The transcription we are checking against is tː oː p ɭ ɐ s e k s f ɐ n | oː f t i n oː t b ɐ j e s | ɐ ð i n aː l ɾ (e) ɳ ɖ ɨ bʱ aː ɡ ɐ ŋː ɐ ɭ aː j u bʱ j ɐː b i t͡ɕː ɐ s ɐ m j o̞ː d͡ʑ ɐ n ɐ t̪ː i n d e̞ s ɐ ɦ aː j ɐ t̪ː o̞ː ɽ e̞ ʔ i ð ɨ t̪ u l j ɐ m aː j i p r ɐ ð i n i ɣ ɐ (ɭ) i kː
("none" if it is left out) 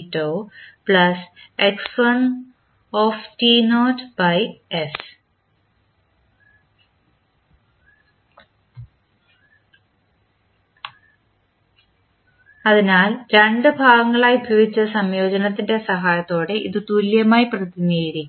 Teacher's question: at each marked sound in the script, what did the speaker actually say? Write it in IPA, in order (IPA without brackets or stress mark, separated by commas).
e, ɾ